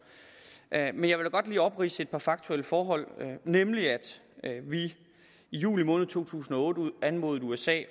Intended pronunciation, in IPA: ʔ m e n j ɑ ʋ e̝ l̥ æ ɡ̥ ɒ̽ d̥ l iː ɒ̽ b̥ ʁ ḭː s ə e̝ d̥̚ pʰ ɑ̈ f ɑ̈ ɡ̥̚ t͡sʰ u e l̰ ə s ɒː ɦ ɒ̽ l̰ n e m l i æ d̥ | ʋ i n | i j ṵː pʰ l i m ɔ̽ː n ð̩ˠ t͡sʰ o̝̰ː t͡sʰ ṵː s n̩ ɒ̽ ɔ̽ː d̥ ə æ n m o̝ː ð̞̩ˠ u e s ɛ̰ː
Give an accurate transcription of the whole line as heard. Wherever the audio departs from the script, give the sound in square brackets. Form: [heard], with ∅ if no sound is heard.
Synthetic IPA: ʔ m e n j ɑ ʋ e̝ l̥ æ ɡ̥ ɒ̽ d̥ l iː ɒ̽ b̥ ʁ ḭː s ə e̝ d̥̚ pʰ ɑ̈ f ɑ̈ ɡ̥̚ t͡sʰ u e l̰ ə [f] ɒː ɦ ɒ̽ l̰ n e m l i æ d̥ | ʋ i [∅] | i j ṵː [∅] l i m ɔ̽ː n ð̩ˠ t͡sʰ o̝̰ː t͡sʰ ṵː s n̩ ɒ̽ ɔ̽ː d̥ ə æ n m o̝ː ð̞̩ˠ u e s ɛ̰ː